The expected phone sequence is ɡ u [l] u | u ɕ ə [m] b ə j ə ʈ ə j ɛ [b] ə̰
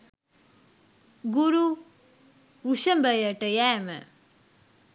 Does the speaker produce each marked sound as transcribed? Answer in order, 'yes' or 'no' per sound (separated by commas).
no, yes, no